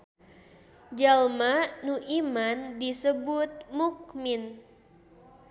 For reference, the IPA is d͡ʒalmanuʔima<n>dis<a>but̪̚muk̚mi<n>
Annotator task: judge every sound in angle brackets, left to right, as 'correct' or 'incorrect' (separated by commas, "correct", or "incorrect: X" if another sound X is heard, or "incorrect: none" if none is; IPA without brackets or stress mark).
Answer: correct, incorrect: ə, correct